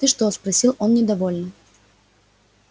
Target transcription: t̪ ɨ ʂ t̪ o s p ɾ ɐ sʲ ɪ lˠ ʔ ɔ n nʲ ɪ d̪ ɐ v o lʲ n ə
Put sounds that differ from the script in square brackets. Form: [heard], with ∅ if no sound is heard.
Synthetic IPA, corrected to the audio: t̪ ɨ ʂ t̪ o s p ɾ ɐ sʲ [i] lˠ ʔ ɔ n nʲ ɪ d̪ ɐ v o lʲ n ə